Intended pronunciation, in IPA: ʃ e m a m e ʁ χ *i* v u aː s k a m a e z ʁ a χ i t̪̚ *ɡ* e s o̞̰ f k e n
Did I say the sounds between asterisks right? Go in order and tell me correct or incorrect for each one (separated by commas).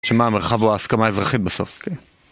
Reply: incorrect, incorrect